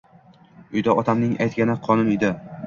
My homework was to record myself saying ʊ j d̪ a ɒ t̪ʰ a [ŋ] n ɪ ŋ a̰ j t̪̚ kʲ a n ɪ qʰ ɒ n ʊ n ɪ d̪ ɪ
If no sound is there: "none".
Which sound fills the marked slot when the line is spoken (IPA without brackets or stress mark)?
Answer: m